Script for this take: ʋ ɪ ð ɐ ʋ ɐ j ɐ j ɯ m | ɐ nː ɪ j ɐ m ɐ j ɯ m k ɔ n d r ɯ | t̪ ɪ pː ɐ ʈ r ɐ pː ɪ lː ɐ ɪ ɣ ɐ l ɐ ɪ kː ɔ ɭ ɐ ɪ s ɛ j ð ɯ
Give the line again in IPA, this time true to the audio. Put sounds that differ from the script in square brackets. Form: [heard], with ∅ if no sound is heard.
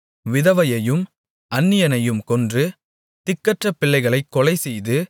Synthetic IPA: ʋ ɪ ð ɐ ʋ ɐ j ɐ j ɯ m | ɐ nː ɪ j ɐ [n] ɐ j ɯ m k ɔ n d r ɯ | t̪ ɪ [kː] ɐ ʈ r ɐ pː ɪ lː ɐ ɪ ɣ ɐ [ɭ] ɐ ɪ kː ɔ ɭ ɐ ɪ s ɛ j ð ɯ